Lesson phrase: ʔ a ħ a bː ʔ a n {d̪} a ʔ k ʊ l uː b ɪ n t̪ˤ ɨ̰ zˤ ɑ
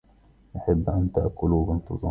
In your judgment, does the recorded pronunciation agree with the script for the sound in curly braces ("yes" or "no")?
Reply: no